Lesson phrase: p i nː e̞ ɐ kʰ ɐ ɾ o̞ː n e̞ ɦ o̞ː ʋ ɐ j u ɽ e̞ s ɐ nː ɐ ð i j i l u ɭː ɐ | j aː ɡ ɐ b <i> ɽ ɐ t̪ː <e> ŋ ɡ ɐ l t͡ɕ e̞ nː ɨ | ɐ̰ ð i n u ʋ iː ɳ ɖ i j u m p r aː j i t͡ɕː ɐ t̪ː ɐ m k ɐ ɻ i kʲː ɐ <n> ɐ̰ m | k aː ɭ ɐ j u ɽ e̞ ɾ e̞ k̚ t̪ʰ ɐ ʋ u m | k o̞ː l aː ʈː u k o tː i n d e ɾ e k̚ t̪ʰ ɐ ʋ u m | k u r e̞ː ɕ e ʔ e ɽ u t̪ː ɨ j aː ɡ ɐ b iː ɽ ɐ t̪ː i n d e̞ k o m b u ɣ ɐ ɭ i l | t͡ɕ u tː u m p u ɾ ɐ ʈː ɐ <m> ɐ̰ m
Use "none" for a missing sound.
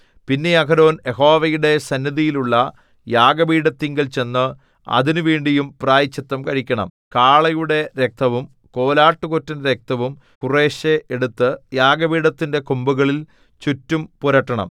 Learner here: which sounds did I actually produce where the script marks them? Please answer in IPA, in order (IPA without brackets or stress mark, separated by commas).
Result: iː, i, ɳ, ɳ